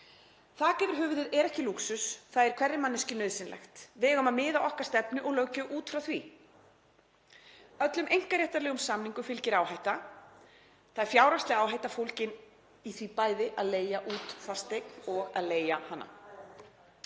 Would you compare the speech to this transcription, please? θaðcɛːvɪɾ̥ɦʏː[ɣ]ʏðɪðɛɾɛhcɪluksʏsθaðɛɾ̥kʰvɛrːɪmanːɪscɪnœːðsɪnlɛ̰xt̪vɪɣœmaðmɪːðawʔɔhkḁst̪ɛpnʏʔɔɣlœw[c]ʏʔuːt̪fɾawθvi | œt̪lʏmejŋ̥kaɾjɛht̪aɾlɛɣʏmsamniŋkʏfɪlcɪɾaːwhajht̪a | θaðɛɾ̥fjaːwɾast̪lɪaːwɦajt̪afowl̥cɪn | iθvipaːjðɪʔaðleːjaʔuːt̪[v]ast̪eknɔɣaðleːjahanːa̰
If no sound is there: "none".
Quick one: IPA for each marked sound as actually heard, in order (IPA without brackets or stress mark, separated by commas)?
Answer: v, c, f